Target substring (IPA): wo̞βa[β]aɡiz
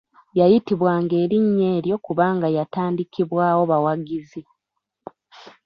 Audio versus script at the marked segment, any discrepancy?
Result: yes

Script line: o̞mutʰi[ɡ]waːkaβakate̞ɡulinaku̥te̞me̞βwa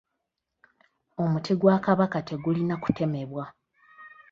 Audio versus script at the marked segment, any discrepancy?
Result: no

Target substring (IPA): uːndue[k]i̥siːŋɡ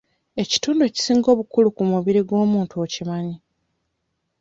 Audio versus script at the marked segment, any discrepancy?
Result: yes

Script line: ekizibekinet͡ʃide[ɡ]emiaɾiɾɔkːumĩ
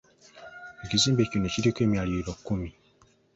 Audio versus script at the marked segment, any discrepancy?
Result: yes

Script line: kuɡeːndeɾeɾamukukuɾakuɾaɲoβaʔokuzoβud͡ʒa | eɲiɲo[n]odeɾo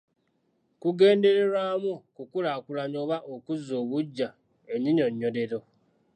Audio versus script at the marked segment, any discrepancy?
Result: yes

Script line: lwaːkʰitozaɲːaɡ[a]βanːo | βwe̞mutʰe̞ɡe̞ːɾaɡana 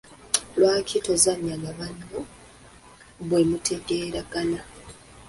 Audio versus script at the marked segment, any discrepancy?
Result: no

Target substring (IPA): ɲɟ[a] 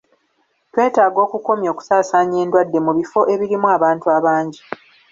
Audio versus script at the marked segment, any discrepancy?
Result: yes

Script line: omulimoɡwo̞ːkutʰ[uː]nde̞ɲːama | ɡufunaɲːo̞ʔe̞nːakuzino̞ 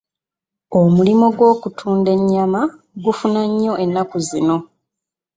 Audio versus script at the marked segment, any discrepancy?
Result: no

